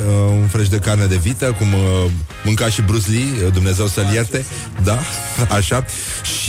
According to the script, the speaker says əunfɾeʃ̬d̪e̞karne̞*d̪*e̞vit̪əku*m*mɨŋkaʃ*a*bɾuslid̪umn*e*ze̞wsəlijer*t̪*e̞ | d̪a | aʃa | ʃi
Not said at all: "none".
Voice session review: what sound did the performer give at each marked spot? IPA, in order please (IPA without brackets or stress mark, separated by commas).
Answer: d̪, m, i, e, t̪